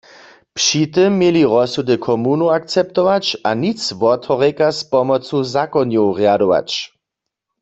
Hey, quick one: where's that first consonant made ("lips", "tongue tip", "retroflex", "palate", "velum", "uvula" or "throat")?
lips